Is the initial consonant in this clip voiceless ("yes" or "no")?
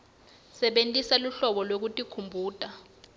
yes